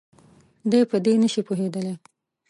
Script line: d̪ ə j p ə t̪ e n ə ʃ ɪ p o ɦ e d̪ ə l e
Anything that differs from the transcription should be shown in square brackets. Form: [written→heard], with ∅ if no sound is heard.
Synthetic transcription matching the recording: d̪ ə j p ə [t̪→d̪] e n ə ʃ [ɪ→i] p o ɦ e d̪ ə l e